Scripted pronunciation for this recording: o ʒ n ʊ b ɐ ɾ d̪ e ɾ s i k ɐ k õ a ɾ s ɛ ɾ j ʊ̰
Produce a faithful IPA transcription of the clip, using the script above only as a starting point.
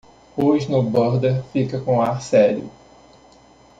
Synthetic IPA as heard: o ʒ n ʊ b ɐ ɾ d̪ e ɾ f i k ɐ k õ a ɾ s ɛ ɾ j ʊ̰